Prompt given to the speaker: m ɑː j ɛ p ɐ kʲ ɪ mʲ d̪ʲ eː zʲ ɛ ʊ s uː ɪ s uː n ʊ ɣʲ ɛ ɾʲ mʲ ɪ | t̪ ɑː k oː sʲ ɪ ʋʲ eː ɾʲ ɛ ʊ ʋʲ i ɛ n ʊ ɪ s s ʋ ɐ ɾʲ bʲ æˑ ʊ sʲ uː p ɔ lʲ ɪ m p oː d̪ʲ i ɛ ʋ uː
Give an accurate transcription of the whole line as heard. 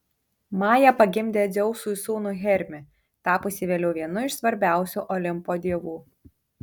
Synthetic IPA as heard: m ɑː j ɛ p ɐ ɡʲ ɪ mʲ d̪ʲ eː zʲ ɛ ʊ s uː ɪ s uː n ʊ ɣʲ ɛ ɾʲ mʲ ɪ | t̪ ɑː p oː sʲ ɪ ʋʲ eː lʲ ɛ ʊ ʋʲ i ɛ n ʊ ɪ ʃ s ʋ ɐ ɾʲ bʲ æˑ ʊ sʲ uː ʔ ɔ lʲ ɪ m p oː d̪ʲ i ɛ ʋ uː